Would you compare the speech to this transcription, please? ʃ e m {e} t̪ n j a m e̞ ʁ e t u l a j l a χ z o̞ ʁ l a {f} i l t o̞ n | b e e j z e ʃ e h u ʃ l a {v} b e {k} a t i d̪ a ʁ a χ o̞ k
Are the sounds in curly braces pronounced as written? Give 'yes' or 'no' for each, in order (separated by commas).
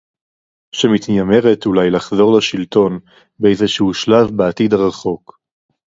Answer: no, no, yes, no